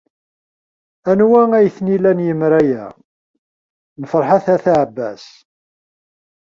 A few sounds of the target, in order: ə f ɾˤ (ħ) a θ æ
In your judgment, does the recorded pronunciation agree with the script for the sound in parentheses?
yes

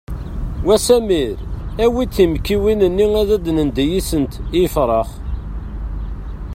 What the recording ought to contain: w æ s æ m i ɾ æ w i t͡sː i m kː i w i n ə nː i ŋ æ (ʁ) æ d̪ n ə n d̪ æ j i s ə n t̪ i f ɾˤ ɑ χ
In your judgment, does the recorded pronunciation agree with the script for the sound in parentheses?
no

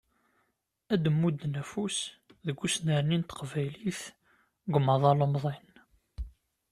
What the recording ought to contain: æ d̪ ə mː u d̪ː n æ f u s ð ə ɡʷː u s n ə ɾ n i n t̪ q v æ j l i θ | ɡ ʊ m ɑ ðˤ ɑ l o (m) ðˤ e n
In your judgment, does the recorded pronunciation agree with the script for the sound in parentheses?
yes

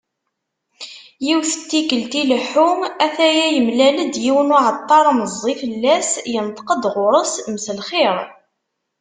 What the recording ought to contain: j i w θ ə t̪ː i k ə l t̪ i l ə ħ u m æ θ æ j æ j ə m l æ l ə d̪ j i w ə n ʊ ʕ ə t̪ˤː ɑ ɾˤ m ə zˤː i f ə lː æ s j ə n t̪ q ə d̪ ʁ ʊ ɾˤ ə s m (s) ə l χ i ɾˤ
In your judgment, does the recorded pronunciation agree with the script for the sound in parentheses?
yes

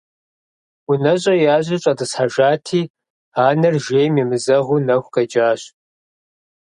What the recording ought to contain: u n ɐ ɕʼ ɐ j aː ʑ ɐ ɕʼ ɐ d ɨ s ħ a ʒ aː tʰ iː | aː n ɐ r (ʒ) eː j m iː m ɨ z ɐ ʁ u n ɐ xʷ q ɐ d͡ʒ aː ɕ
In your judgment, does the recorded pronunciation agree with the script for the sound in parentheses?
yes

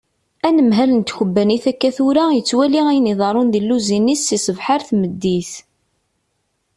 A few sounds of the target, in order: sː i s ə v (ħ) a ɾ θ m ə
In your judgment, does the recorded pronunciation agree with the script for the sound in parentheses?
yes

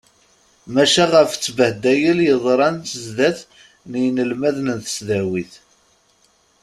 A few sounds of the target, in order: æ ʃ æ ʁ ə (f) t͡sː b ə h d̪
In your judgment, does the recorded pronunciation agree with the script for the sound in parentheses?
yes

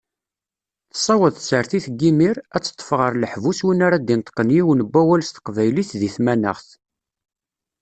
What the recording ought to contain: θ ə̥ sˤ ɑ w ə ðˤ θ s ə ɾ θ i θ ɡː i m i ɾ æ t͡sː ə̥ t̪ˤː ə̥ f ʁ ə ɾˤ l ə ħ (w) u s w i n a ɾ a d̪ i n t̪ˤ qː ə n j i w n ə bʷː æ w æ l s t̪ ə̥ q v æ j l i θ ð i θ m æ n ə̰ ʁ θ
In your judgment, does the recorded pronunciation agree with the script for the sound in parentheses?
no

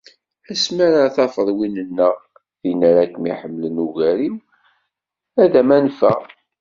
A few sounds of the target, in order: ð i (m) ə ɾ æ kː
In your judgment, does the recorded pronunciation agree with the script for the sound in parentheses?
no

